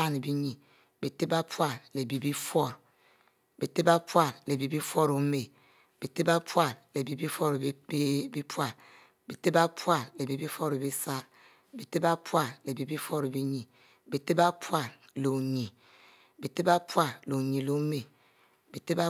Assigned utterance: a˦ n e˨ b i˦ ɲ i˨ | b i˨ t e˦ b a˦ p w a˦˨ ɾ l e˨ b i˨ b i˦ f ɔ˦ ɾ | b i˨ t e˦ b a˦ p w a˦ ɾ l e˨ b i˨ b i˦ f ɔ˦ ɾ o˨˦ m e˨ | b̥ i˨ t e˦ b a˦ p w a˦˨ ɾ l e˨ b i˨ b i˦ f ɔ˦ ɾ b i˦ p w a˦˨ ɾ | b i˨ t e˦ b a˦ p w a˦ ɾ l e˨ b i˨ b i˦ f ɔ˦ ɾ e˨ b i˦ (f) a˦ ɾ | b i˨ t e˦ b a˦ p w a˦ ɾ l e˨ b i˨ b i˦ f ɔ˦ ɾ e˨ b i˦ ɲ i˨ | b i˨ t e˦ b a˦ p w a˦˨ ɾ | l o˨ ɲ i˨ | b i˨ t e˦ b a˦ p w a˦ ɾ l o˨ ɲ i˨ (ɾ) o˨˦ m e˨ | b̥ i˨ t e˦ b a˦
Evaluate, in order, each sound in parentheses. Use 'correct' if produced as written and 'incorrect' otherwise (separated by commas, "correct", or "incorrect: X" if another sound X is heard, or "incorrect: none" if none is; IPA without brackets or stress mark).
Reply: incorrect: s, incorrect: l